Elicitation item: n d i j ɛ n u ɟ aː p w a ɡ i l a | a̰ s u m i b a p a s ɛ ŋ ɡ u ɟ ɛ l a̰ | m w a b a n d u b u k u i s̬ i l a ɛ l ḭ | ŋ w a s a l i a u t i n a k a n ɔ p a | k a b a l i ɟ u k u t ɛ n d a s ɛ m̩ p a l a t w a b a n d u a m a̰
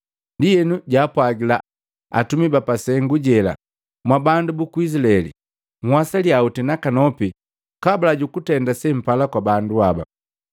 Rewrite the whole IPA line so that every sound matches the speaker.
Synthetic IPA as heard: n d i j ɛ n u ɟ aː p w a ɡ i l a | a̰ t u m i b a p a s ɛ ŋ ɡ u ɟ ɛ l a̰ | m w a b a n d u b u k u i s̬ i l a ɛ l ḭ | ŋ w a s a l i a u t i n a k a n ɔ p i | k a b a l a ɟ u k u t ɛ n d a s ɛ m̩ p a l a k w a b a n d u a b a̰